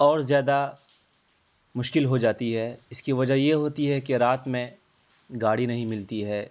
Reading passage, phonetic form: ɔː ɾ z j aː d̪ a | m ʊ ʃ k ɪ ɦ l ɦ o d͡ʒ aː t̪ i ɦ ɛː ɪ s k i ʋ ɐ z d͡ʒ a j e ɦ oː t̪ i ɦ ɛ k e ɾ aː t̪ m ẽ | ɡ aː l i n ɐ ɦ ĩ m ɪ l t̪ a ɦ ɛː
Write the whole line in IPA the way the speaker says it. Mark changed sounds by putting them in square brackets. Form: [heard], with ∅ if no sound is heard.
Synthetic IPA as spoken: ɔː ɾ z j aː d̪ a | m ʊ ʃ k ɪ [∅] l ɦ o d͡ʒ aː t̪ i ɦ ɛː ɪ s k i ʋ ɐ [∅] d͡ʒ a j e ɦ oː t̪ i ɦ ɛ k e ɾ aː t̪ m ẽ | ɡ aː [ɽ] i n ɐ ɦ ĩ m ɪ l t̪ [i] ɦ ɛː

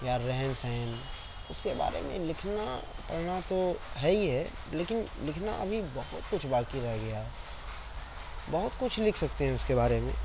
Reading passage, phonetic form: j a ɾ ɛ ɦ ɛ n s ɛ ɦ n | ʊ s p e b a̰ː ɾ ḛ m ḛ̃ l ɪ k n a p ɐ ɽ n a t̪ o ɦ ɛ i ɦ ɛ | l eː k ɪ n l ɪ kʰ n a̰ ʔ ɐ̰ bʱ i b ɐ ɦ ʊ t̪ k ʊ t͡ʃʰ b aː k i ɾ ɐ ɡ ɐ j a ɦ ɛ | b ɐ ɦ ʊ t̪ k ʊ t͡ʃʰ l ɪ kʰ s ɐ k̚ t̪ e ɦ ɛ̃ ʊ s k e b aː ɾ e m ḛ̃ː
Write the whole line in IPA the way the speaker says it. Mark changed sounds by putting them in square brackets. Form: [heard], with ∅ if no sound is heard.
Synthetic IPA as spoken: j a ɾ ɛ ɦ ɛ n s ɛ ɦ n | ʊ s [k] e b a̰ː ɾ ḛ m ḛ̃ l ɪ [kʰ] n a p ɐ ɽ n a t̪ o ɦ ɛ i ɦ ɛ | l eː k ɪ n l ɪ kʰ n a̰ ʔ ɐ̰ bʱ i b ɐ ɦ ʊ t̪ k ʊ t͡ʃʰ b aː k i ɾ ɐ ɡ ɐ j a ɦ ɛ | b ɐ ɦ ʊ t̪ k ʊ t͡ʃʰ l ɪ kʰ s ɐ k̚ t̪ e ɦ ɛ̃ ʊ s k e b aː ɾ e m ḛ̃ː

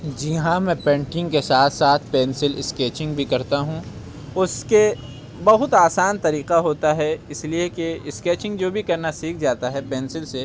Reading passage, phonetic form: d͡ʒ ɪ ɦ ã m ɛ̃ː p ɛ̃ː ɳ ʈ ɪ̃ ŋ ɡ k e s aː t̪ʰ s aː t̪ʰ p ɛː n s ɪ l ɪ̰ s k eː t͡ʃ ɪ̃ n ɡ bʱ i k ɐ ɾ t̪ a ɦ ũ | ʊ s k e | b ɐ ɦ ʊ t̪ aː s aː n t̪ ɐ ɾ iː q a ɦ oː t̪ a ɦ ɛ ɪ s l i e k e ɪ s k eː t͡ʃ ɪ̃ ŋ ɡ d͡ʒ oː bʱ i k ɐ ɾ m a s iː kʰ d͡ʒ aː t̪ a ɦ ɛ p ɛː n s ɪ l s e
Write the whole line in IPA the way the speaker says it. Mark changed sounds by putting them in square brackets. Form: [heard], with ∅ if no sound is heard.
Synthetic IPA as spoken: d͡ʒ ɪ ɦ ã m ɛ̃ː p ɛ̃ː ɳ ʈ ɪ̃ ŋ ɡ k e s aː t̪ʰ s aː t̪ʰ p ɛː n s ɪ l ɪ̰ s k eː t͡ʃ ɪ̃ [ŋ] ɡ bʱ i k ɐ ɾ t̪ a ɦ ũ | ʊ s k e | b ɐ ɦ ʊ t̪ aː s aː n t̪ ɐ ɾ iː q a ɦ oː t̪ a ɦ ɛ ɪ s l i e k e ɪ s k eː t͡ʃ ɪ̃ ŋ ɡ d͡ʒ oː bʱ i k ɐ ɾ [n] a s iː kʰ d͡ʒ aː t̪ a ɦ ɛ p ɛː n s ɪ l s e

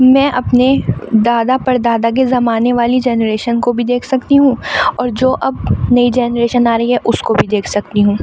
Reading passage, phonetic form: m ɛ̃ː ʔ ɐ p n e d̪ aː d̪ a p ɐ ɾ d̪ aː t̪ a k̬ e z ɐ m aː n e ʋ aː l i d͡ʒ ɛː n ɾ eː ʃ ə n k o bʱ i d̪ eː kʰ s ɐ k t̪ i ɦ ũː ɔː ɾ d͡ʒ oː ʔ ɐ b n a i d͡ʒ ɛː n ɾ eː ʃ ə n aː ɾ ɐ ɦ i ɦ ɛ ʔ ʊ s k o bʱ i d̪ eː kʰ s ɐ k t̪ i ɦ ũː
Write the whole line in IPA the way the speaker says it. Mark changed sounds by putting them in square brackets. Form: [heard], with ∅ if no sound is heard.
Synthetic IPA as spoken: m ɛ̃ː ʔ ɐ p n e d̪ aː d̪ a p ɐ ɾ d̪ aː [d̪] a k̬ e z ɐ m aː n e ʋ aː l i d͡ʒ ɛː n ɾ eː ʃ ə n k o bʱ i d̪ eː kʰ s ɐ k t̪ i ɦ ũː ɔː ɾ d͡ʒ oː ʔ ɐ b n [ɐ] i d͡ʒ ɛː n ɾ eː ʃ ə n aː ɾ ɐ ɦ i ɦ ɛ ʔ ʊ s k o bʱ i d̪ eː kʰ s ɐ k t̪ i ɦ ũː

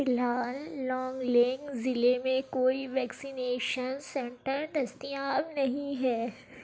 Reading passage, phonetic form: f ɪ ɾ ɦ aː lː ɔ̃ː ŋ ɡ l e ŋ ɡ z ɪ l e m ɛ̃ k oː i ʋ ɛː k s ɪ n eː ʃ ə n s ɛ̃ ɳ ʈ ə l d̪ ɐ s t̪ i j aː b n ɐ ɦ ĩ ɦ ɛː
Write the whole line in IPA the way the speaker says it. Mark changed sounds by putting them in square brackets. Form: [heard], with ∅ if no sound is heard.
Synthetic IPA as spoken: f ɪ [l] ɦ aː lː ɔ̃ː ŋ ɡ l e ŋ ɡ z ɪ l e m [ẽ] k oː i ʋ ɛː k s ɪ n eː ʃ ə n s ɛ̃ ɳ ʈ ə [ɾ] d̪ ɐ s t̪ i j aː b n ɐ ɦ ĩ ɦ ɛː

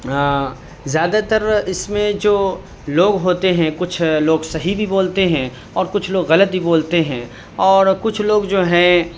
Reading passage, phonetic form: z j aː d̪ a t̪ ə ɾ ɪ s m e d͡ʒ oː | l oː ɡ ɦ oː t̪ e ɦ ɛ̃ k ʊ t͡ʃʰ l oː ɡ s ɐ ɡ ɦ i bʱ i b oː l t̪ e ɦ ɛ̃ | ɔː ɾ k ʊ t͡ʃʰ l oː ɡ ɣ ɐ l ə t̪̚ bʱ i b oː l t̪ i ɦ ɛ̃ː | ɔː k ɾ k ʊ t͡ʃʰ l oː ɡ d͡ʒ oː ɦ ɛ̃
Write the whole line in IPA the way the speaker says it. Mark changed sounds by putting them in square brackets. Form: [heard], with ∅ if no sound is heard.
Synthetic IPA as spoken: z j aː d̪ a t̪ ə ɾ ɪ s m [ẽ] d͡ʒ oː | l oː ɡ ɦ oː t̪ e ɦ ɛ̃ k ʊ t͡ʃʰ l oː ɡ s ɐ [∅] ɦ i bʱ i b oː l t̪ e ɦ ɛ̃ | ɔː ɾ k ʊ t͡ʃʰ l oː ɡ ɣ ɐ l ə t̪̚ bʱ i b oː l t̪ [e] ɦ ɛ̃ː | ɔː [∅] ɾ k ʊ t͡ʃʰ l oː ɡ d͡ʒ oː ɦ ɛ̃

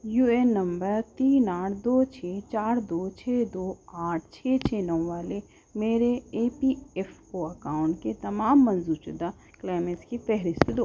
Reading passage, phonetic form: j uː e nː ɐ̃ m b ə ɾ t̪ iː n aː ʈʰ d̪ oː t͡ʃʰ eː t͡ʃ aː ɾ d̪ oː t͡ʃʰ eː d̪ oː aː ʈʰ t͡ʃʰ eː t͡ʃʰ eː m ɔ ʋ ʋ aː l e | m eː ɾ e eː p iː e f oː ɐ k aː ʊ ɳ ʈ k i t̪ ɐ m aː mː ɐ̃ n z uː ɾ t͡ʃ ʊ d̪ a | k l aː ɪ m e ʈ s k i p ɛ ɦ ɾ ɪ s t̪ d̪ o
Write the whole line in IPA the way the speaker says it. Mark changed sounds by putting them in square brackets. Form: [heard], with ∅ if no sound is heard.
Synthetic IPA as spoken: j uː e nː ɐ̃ m b ə ɾ t̪ iː n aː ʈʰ d̪ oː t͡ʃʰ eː t͡ʃ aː ɾ d̪ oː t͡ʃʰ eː d̪ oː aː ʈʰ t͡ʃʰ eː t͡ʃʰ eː [n] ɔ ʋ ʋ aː l e | m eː ɾ e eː p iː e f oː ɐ k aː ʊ ɳ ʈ k [e] t̪ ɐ m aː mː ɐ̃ n z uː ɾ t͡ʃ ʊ d̪ a | k l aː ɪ m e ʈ s k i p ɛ ɦ ɾ ɪ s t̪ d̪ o

